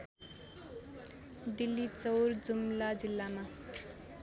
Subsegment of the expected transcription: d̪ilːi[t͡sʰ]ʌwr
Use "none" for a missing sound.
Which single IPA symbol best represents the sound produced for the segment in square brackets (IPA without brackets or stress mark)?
t͡s